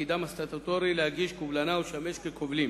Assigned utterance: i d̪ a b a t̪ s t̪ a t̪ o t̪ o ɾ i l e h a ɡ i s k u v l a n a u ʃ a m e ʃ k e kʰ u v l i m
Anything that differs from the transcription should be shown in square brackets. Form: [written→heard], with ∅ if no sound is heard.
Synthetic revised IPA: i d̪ a [b→m] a [t̪→∅] s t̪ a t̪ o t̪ o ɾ i l e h a ɡ i [s→ʃ] k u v l a n a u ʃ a m e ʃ k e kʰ [u→o] v l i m